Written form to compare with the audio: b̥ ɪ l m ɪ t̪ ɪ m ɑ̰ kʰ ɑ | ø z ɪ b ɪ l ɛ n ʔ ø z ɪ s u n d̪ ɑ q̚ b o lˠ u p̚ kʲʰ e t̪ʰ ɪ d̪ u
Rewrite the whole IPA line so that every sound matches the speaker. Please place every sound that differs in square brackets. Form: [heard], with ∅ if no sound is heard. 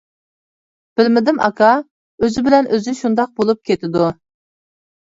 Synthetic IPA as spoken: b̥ ɪ l m ɪ [d̪] ɪ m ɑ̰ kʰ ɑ | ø z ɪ b ɪ l ɛ n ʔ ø z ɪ [ʃ] u n d̪ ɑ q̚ b o lˠ u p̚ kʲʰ e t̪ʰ ɪ d̪ u